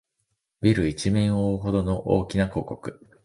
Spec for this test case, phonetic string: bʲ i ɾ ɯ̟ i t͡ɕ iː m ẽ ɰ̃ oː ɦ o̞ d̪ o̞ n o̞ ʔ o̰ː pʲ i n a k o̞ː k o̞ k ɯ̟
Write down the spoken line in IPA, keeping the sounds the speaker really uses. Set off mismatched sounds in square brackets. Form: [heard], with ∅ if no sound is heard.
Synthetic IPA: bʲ i ɾ ɯ̟ i t͡ɕ [i] m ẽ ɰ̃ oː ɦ o̞ d̪ o̞ n o̞ ʔ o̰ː [kʲ] i n a k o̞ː k o̞ k ɯ̟